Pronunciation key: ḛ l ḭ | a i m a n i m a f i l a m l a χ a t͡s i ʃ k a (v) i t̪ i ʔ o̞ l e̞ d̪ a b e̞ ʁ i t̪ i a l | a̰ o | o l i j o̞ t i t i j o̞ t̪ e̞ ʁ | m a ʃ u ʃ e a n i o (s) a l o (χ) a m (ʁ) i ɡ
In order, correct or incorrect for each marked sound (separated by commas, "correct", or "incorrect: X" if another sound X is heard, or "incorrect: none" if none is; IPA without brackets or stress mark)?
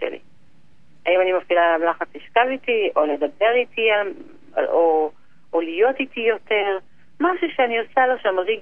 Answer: correct, correct, incorrect: ʃ, correct